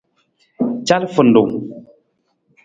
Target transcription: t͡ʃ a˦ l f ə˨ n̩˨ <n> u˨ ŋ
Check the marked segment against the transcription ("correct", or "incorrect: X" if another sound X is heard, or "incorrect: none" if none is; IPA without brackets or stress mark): incorrect: d